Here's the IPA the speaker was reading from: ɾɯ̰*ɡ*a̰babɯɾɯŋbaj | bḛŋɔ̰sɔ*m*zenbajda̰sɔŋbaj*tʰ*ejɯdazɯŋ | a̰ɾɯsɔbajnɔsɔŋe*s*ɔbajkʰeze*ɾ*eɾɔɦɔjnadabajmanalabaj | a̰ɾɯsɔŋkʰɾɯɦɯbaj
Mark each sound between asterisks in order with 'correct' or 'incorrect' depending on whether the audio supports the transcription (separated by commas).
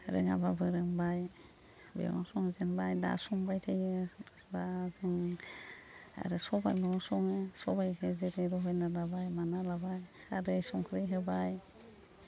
incorrect, incorrect, correct, correct, correct